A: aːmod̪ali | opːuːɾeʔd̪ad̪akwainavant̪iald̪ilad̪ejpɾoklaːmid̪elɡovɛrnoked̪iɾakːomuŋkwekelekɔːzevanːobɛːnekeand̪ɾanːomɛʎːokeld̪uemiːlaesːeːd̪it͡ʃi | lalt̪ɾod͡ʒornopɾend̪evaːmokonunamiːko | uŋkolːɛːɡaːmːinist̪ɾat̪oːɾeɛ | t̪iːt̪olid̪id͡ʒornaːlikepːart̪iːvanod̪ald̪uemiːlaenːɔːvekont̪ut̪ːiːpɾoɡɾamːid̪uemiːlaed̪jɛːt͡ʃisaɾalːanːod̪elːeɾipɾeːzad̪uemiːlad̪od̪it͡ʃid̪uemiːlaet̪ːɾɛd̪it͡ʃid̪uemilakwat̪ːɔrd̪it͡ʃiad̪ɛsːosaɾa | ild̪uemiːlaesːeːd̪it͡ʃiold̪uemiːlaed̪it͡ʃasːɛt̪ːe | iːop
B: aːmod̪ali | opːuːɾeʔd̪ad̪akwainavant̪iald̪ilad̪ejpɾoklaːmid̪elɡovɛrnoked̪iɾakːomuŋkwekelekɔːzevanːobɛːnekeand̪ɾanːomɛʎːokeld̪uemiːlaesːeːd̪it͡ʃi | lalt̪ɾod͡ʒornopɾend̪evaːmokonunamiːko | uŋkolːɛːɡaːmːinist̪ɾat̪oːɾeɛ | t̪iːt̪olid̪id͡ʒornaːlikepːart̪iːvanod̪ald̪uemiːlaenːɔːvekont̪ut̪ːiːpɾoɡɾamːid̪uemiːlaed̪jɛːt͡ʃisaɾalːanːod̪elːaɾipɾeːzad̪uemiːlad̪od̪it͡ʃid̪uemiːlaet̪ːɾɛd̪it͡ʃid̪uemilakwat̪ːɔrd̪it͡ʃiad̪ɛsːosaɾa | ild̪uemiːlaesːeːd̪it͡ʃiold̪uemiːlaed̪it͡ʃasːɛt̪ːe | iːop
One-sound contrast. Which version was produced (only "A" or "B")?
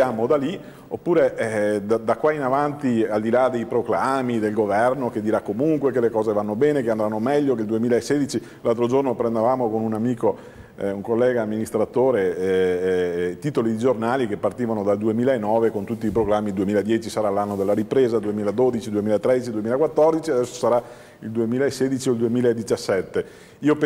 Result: B